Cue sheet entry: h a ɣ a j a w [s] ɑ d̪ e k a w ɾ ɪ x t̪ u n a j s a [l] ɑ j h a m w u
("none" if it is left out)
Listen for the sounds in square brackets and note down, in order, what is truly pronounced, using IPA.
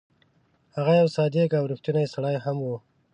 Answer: s, ɽ

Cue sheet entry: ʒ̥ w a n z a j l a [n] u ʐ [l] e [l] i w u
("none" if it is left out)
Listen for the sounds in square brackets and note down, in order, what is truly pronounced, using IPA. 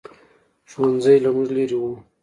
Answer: m, l, ɾ

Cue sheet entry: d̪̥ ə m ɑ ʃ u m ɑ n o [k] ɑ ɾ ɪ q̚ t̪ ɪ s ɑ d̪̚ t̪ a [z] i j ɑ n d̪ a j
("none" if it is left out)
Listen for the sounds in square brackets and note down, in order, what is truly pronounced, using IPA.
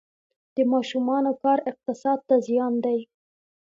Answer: k, z

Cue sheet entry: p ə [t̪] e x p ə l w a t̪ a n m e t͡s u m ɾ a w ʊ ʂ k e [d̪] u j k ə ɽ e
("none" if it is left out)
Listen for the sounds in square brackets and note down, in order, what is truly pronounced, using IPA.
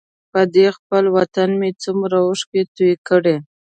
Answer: d̪, t̪

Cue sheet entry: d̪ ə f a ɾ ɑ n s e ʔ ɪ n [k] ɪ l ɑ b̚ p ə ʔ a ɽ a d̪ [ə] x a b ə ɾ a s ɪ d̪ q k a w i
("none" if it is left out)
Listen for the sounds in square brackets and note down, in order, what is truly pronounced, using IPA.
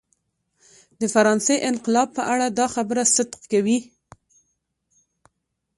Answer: q, ɑ

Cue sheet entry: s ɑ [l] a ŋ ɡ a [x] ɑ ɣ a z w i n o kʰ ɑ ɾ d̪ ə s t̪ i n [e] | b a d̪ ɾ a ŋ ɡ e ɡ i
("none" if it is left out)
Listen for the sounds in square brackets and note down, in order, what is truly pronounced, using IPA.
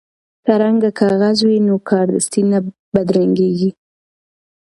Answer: ɾ, k, a

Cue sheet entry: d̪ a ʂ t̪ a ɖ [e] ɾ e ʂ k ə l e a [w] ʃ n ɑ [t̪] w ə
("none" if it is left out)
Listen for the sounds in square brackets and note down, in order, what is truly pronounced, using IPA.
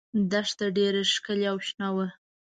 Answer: e, w, none

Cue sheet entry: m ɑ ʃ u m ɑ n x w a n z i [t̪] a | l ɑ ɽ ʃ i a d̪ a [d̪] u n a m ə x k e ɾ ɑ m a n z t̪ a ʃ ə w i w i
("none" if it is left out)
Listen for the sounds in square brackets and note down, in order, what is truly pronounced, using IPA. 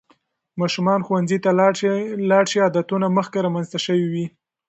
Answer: t̪, t̪

